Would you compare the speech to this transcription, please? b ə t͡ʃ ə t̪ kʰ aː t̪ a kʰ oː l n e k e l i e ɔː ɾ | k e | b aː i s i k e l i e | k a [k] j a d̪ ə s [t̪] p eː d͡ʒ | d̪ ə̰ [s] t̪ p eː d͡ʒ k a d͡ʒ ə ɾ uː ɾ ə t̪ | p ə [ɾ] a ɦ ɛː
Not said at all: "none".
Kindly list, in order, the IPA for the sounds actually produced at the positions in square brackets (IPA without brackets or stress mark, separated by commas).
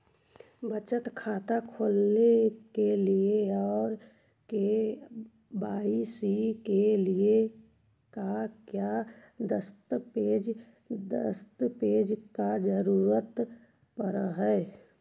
k, t̪, s, ɾ